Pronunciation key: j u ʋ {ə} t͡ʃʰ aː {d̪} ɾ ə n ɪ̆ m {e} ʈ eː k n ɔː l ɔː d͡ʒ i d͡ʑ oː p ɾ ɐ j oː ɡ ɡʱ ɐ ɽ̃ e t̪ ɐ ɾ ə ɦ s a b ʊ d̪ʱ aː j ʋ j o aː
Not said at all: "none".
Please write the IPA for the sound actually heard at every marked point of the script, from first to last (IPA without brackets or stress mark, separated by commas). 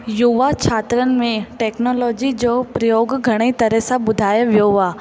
a, t̪, ẽ